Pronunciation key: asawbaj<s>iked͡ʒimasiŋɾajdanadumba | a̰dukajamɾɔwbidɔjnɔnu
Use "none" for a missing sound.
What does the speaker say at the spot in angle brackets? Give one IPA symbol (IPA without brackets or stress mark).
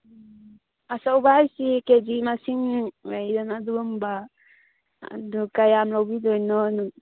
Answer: s